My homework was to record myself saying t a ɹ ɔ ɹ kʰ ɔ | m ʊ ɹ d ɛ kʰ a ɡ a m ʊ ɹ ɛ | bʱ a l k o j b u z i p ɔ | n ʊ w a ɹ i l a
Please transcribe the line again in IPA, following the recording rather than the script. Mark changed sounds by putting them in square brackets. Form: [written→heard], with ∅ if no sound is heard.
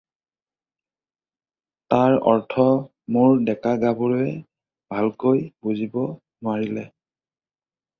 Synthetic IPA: t a ɹ ɔ ɹ [kʰ→tʰ] ɔ | m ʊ ɹ d ɛ [kʰ→k] a ɡ a [m→b] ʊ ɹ ɛ | bʱ a l k o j b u z i [p→b] ɔ | n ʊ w a ɹ i l [a→ɛ]